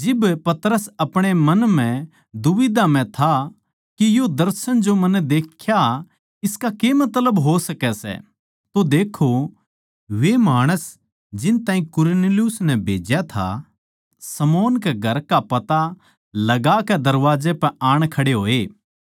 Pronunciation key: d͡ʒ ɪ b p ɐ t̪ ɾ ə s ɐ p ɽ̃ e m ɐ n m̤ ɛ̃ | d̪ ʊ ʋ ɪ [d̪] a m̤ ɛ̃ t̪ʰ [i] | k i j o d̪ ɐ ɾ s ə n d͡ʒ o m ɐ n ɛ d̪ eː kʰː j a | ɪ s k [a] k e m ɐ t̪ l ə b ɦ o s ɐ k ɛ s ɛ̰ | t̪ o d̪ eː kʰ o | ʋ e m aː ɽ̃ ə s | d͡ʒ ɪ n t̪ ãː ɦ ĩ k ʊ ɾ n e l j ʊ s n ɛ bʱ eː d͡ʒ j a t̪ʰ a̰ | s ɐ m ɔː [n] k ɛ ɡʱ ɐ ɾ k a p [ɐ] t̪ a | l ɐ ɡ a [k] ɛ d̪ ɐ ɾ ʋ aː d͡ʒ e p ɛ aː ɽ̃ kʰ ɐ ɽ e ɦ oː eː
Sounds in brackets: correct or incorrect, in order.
correct, incorrect: a, correct, correct, correct, correct

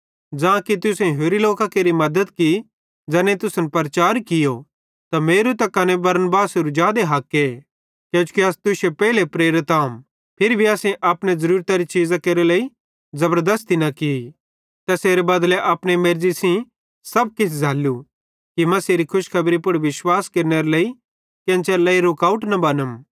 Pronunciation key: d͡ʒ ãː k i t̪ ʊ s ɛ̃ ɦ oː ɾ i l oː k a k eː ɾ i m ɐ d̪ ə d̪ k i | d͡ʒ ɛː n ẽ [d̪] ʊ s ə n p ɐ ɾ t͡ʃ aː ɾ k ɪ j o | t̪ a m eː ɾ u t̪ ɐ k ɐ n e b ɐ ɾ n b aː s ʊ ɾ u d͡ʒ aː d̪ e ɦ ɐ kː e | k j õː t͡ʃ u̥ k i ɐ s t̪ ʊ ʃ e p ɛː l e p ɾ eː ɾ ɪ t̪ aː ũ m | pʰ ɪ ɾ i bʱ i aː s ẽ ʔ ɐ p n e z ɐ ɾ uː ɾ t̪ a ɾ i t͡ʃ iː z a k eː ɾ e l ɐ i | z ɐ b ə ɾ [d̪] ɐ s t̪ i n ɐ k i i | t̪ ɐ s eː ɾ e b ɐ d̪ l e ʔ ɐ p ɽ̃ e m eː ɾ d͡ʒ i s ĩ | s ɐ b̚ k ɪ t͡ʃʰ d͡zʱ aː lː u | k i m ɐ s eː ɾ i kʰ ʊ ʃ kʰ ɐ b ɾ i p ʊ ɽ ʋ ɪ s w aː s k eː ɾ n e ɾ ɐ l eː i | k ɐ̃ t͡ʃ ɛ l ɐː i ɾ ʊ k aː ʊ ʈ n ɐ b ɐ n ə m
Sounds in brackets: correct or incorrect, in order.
incorrect: t̪, correct

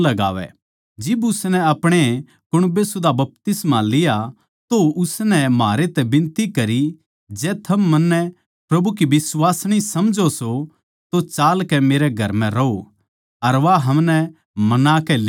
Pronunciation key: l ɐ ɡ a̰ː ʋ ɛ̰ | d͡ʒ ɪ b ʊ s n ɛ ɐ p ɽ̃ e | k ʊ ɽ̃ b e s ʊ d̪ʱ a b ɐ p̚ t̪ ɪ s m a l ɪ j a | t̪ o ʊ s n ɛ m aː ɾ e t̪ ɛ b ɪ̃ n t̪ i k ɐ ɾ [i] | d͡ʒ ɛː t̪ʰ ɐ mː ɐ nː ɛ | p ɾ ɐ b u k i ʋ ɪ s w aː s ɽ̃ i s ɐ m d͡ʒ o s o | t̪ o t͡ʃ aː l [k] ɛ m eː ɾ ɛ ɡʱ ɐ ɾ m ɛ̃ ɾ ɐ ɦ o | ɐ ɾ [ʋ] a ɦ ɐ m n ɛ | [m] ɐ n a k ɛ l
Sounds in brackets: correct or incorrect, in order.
correct, correct, correct, correct

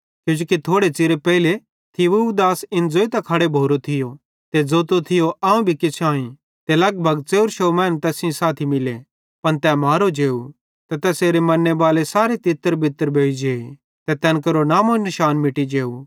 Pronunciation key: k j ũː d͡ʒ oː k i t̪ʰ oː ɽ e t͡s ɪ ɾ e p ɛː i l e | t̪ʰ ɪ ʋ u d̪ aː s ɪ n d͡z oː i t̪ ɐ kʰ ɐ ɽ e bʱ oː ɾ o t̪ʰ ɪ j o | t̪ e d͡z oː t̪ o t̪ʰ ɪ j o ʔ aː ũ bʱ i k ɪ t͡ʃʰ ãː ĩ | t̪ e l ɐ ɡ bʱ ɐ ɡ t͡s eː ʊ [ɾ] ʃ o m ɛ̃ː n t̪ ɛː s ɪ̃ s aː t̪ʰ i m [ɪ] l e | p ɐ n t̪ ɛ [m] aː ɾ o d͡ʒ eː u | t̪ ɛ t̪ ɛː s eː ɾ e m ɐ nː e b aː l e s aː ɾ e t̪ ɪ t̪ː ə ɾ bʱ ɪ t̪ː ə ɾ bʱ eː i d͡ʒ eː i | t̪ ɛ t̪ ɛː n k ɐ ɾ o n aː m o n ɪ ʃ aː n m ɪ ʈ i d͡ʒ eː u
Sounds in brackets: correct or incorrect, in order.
correct, correct, correct

